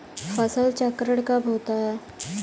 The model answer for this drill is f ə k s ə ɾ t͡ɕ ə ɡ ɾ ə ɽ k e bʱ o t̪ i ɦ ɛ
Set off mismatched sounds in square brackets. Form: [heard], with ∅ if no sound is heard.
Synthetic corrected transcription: f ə [∅] s ə [l] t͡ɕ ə [k] ɾ ə ɽ k [a] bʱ o t̪ [a] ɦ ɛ